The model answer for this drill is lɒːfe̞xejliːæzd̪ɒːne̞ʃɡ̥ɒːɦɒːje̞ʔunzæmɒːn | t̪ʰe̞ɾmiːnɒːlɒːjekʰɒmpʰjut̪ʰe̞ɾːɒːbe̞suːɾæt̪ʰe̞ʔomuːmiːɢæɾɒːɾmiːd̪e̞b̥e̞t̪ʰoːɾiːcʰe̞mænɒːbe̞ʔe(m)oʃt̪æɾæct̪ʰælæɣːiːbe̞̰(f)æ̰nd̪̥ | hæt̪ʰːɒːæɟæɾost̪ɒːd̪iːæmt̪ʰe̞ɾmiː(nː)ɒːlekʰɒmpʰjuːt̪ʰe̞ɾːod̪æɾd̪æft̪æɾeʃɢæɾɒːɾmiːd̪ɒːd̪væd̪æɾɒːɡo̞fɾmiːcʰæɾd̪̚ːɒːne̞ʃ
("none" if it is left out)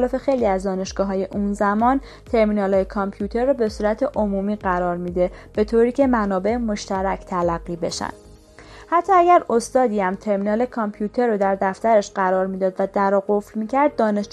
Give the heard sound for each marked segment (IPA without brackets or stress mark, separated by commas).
m, ʃ, n